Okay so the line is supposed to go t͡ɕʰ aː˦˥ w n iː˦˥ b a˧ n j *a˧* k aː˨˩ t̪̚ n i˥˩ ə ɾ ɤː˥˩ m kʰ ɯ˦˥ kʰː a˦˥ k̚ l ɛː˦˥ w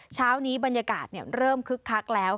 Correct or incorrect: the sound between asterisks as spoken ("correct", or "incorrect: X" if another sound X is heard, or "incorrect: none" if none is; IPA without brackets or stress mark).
correct